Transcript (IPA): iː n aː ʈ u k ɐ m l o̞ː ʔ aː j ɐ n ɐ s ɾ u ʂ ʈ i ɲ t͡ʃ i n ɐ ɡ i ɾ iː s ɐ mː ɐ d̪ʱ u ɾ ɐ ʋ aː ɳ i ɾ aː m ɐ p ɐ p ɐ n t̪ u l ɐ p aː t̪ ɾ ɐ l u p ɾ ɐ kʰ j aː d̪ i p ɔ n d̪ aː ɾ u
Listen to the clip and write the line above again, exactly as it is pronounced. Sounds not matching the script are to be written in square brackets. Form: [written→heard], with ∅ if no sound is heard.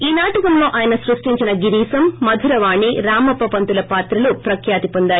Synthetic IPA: iː n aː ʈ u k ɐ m l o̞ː ʔ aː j ɐ n ɐ s ɾ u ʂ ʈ i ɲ t͡ʃ i n ɐ ɡ i ɾ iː s ɐ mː ɐ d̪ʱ u ɾ ɐ ʋ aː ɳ i ɾ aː m ɐ p ɐ p ɐ n t̪ u l ɐ p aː t̪ ɾ ɐ l u p ɾ ɐ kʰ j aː [d̪→t̪] i p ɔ n d̪ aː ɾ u